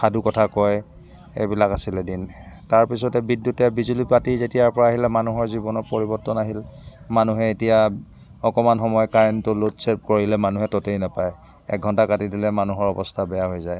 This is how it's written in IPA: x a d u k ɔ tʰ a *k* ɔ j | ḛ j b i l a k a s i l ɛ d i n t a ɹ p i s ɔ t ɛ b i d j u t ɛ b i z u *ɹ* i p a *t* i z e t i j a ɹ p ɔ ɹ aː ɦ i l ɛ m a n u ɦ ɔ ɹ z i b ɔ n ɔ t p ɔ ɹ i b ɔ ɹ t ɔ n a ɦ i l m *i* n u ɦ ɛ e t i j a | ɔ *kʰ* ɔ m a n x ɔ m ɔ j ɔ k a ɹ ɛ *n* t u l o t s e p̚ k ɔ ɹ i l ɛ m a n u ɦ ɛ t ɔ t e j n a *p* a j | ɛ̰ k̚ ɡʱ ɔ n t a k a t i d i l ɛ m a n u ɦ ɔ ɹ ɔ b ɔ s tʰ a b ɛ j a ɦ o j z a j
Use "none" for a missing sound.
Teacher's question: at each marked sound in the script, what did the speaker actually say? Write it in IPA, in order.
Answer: k, l, t, a, k, n, p

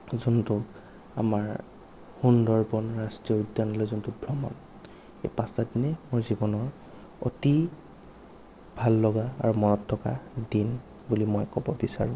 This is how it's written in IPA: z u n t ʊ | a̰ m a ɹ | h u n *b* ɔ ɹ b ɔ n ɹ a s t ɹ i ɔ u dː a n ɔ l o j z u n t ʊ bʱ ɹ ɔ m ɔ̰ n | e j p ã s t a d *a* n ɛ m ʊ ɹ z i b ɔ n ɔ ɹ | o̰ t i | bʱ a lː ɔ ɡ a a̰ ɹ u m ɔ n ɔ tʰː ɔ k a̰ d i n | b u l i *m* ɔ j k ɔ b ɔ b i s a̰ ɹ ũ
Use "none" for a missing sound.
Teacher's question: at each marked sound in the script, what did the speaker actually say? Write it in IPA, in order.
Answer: d, i, m

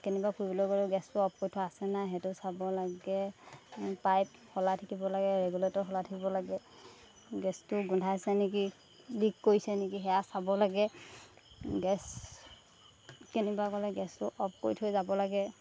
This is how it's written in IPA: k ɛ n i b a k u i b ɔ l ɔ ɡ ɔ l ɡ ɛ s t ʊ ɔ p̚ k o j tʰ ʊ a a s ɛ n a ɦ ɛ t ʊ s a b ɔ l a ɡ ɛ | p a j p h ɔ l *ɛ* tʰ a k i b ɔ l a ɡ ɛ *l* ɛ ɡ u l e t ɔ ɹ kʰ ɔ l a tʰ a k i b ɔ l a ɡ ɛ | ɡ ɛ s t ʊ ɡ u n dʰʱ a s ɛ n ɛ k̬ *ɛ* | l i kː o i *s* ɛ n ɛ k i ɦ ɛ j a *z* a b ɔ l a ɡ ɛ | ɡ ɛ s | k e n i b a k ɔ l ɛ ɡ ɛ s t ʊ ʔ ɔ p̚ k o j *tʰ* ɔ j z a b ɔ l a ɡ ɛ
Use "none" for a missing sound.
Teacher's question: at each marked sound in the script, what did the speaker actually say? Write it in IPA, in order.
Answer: a, ɹ, i, s, s, tʰ

